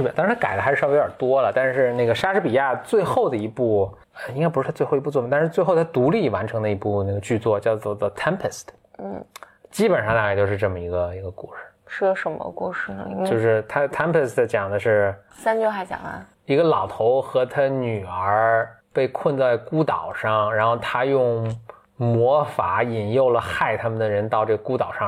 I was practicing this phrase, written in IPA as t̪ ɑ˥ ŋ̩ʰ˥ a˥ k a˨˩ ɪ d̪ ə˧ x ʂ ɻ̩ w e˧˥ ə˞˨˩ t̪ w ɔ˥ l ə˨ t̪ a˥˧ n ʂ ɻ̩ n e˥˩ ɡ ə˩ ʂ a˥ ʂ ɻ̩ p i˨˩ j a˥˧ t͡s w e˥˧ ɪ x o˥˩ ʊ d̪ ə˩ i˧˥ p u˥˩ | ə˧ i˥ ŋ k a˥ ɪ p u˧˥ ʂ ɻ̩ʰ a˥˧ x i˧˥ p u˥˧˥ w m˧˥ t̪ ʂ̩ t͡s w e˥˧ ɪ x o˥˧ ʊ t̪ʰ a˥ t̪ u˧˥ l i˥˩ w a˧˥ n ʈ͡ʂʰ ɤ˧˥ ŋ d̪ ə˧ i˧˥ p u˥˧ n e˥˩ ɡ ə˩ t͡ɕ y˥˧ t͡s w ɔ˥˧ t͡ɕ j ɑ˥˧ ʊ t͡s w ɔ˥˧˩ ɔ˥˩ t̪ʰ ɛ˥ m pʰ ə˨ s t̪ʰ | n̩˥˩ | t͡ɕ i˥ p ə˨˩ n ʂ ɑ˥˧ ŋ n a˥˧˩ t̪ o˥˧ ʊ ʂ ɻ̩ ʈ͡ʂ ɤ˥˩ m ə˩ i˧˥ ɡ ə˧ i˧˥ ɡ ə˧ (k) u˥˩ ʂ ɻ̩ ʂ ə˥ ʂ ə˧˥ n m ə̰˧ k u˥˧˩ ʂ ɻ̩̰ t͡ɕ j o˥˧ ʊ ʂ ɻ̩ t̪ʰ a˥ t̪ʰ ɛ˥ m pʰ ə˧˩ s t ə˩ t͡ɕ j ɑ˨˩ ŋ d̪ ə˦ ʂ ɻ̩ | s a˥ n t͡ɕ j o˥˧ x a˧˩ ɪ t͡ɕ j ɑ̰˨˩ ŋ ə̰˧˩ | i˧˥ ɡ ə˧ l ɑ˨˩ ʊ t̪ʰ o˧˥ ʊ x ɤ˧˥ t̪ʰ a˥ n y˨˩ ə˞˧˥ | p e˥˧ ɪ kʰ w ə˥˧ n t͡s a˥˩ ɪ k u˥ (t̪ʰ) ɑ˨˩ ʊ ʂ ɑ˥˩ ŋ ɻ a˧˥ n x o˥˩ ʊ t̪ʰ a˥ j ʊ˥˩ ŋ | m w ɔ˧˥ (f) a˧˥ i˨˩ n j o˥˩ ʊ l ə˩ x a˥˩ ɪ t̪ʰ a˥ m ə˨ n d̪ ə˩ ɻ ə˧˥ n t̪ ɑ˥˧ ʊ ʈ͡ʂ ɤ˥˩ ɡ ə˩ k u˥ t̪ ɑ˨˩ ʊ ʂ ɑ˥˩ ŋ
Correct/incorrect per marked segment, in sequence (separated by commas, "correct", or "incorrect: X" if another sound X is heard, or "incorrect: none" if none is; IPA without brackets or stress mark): correct, incorrect: t̪, correct